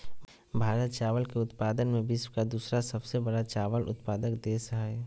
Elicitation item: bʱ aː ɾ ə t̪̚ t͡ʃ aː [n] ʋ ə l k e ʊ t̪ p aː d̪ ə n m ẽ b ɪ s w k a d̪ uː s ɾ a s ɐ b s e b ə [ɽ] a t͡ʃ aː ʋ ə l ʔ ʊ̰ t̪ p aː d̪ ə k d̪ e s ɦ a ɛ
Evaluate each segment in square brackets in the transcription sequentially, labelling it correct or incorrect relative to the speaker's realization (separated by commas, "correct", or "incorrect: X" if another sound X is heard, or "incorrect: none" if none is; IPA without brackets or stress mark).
incorrect: none, correct